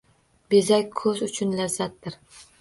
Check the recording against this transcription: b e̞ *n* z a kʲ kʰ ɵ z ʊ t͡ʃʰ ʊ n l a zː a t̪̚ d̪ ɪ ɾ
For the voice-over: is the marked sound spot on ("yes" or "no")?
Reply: no